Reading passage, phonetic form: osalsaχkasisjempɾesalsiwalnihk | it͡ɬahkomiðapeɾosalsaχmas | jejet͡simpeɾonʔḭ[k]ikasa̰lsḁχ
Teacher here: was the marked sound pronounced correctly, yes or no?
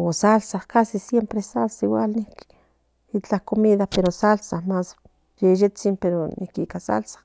yes